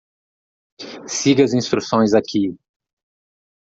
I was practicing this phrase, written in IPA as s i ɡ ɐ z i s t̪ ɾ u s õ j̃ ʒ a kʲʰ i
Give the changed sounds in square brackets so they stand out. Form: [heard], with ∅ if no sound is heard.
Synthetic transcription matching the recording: s i ɡ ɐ z [ĩ] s t̪ ɾ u s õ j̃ [z] a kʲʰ i